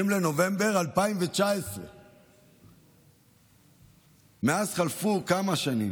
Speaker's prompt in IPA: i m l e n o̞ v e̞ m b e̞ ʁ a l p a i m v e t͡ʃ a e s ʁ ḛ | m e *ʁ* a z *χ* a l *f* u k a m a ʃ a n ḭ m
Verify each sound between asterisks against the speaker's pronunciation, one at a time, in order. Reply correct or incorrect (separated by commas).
incorrect, correct, correct